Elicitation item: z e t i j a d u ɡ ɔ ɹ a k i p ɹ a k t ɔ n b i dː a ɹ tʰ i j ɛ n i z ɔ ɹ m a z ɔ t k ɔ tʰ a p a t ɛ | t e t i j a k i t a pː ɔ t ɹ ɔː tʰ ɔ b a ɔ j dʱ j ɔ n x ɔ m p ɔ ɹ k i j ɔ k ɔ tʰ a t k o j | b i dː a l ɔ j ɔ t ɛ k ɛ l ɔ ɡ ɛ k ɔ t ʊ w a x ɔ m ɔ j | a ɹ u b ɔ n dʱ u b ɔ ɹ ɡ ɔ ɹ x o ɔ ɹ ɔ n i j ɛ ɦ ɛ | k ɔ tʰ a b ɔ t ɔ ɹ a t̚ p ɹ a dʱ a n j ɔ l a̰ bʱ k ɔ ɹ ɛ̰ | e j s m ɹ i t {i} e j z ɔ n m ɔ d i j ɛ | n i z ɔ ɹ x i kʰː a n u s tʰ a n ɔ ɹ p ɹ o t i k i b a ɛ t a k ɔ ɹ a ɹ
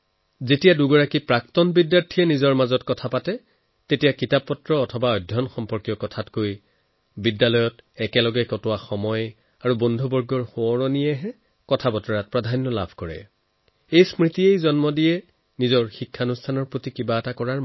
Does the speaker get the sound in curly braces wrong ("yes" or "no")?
no